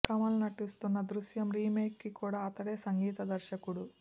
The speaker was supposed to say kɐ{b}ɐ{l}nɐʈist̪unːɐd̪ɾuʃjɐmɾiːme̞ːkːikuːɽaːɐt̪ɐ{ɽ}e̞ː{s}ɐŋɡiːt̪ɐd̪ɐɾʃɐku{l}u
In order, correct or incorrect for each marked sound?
incorrect: m, correct, correct, correct, incorrect: ɽ

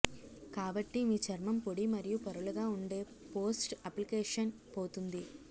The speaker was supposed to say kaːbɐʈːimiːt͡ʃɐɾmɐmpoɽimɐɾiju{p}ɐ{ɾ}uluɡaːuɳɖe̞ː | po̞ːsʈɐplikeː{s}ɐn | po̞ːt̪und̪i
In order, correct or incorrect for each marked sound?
correct, correct, incorrect: ʂ

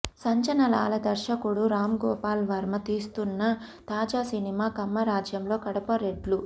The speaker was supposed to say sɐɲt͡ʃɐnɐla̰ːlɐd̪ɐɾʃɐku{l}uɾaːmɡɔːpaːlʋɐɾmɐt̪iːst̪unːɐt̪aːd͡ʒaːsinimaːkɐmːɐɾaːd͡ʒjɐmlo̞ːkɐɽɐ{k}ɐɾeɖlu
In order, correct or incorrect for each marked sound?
incorrect: ɽ, incorrect: p

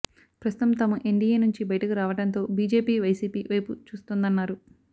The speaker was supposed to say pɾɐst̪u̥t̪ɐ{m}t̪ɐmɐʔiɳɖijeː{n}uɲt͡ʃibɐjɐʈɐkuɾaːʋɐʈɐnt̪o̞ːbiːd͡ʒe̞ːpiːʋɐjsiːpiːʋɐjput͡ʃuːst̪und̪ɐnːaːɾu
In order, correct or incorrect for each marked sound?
correct, correct

